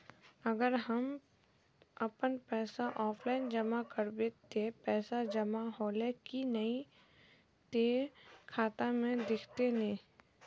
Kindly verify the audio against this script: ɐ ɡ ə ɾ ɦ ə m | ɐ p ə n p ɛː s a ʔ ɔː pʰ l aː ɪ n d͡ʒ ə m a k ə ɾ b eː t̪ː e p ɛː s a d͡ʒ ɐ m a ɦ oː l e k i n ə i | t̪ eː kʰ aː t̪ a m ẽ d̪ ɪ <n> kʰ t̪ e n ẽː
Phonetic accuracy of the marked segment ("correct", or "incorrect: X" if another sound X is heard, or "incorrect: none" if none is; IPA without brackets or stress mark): incorrect: none